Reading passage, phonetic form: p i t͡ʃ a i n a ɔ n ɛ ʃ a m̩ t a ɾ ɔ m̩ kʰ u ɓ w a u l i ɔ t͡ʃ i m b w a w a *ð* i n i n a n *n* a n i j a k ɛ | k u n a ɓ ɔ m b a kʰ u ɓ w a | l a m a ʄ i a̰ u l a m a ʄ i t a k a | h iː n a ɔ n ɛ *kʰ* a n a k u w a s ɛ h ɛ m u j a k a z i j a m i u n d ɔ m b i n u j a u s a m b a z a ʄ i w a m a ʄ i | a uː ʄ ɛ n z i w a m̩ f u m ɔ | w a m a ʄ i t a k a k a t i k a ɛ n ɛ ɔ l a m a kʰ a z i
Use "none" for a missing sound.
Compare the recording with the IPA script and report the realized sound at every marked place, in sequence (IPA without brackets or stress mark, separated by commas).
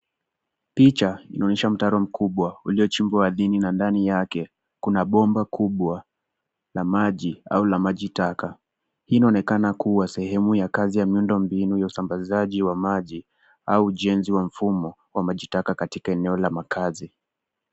ð, d, k